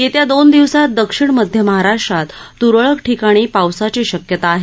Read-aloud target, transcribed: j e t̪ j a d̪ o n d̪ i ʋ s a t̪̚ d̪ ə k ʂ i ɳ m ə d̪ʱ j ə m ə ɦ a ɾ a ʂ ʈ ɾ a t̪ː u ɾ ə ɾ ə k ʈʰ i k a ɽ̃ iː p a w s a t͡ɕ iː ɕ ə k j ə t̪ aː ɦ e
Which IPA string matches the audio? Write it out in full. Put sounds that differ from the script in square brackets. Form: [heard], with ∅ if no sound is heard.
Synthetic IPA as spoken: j e t̪ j a d̪ o n d̪ i ʋ s a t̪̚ d̪ ə k ʂ i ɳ m ə d̪ʱ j ə m ə ɦ a ɾ a ʂ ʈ ɾ a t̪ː u ɾ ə [ɭ] ə k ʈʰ i k a ɽ̃ iː p a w s a t͡ɕ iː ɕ ə k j ə t̪ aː ɦ e